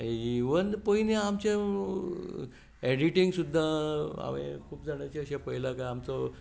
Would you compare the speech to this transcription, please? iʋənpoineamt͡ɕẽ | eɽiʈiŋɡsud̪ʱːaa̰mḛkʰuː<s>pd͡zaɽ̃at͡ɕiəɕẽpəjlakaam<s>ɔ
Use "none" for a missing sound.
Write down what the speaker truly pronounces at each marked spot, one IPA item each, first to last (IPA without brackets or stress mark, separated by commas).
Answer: none, t͡s